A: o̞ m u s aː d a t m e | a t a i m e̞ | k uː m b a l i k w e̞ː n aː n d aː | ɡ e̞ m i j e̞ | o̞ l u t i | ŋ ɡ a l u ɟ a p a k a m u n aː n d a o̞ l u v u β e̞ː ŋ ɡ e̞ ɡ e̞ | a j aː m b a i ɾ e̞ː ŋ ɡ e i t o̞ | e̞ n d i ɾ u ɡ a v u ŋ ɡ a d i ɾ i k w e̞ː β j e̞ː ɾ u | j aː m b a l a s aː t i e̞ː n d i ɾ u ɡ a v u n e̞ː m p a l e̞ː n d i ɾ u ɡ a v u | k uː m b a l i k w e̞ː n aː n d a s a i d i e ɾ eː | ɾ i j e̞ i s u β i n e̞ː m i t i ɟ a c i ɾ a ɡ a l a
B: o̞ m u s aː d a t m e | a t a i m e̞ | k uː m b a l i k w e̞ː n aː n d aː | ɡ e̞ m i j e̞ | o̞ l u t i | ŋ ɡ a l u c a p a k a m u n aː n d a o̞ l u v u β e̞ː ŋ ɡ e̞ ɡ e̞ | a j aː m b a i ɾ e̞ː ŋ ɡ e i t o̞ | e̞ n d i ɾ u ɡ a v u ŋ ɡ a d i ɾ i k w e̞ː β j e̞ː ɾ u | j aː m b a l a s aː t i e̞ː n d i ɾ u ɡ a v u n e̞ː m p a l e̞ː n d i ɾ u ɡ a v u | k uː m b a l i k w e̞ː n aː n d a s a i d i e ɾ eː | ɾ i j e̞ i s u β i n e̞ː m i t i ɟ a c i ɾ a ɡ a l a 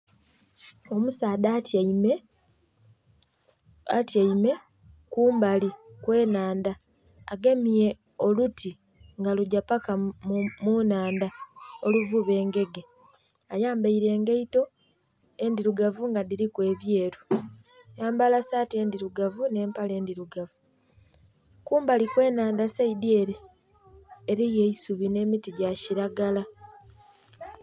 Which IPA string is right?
A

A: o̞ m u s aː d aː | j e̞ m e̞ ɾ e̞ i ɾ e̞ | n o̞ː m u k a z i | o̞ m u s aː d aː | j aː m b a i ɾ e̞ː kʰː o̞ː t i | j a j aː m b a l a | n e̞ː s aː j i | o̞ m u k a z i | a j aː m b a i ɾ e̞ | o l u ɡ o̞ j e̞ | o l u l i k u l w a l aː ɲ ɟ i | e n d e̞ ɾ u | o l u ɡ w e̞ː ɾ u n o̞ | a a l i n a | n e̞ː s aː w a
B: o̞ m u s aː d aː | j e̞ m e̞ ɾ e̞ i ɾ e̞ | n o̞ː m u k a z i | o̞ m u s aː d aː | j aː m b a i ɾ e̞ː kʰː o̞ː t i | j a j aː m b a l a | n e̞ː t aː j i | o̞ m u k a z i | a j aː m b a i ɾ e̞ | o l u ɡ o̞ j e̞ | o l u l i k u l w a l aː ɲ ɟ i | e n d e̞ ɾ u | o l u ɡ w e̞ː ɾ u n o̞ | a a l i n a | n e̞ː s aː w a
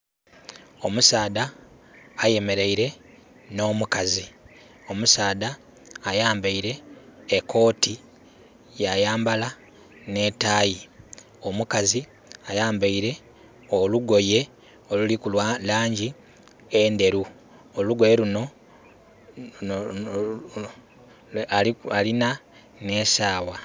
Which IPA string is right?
B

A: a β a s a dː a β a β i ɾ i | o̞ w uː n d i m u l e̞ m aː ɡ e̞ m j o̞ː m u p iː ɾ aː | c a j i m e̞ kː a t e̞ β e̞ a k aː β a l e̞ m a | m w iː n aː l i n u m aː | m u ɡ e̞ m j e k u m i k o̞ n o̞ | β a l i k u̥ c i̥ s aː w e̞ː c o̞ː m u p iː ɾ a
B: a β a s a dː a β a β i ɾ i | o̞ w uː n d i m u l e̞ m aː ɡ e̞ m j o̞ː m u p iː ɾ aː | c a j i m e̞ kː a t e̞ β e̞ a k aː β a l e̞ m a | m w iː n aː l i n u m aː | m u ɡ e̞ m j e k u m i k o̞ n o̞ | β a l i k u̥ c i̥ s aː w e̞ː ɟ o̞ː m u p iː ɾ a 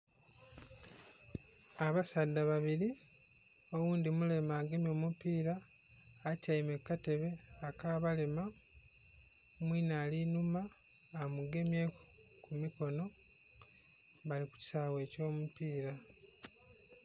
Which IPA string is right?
A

